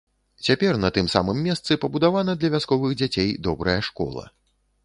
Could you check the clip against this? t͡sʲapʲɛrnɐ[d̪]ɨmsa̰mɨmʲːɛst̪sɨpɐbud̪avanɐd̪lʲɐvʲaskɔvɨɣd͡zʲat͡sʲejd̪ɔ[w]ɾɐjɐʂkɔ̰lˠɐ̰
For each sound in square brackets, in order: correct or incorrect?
incorrect: t̪, incorrect: b

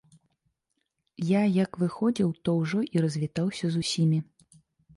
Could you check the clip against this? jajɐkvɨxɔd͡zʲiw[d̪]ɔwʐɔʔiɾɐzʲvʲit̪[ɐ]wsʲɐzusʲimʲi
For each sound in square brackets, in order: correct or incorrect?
incorrect: t̪, incorrect: a

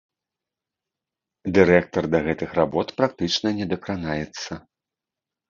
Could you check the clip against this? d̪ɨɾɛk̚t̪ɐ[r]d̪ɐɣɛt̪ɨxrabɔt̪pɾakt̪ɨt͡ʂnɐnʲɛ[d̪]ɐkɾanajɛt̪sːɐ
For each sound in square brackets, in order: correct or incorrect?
correct, correct

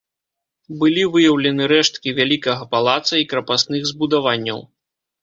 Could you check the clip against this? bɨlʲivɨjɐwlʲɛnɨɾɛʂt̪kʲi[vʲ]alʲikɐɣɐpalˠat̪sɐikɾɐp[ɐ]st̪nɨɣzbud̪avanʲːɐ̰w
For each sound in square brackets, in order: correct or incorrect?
correct, incorrect: a

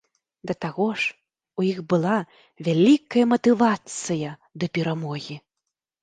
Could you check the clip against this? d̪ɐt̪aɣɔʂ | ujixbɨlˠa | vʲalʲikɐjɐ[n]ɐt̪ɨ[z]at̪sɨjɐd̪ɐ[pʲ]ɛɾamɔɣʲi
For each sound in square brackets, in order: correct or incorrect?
incorrect: m, incorrect: v, correct

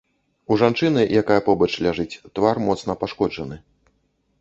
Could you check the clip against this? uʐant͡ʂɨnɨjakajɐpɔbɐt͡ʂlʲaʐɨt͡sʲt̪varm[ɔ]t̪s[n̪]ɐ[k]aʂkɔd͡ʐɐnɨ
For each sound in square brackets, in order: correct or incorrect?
correct, correct, incorrect: p

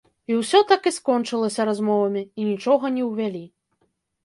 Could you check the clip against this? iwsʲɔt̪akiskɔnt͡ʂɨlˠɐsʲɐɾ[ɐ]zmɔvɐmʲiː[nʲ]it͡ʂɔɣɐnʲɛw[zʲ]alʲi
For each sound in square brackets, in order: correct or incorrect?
incorrect: a, correct, incorrect: vʲ

